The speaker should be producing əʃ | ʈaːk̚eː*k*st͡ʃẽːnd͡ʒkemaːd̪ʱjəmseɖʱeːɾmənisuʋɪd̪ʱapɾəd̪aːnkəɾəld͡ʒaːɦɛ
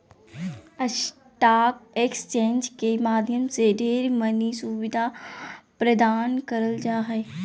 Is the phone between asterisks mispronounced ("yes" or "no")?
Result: no